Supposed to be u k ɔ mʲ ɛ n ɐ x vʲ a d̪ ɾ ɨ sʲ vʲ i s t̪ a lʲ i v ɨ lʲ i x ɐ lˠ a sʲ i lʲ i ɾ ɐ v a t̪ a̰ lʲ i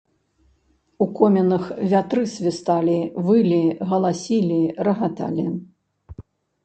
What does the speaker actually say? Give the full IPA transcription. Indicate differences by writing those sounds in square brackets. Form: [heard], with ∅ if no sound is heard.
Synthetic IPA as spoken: u k ɔ mʲ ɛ n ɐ x vʲ a [t̪] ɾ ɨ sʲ vʲ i s t̪ a lʲ i v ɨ lʲ i [ɣ] ɐ lˠ a sʲ i lʲ i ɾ ɐ [ɣ] a t̪ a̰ lʲ i